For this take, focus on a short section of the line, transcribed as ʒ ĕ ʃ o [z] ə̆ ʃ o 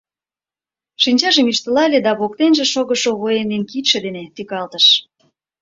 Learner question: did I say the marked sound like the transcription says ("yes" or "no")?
no